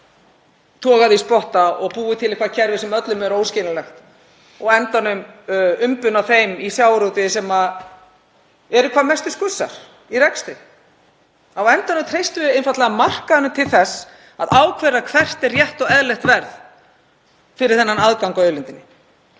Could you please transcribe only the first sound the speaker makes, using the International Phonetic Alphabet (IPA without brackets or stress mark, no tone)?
t̪ʰ